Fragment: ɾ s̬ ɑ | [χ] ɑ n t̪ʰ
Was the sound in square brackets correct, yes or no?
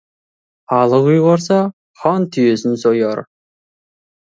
yes